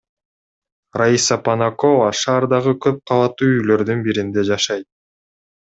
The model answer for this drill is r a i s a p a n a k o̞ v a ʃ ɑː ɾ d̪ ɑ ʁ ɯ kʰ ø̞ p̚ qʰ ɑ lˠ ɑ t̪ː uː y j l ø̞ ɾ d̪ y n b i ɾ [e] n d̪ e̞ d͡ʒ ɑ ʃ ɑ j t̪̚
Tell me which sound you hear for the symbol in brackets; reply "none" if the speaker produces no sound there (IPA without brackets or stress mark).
i